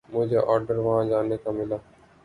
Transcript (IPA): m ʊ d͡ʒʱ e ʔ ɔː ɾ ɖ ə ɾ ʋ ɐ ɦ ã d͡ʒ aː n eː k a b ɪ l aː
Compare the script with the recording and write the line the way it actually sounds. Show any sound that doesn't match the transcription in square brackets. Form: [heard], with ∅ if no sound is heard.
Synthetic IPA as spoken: m ʊ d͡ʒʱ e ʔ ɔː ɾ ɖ ə ɾ ʋ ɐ ɦ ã d͡ʒ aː n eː k a [m] ɪ l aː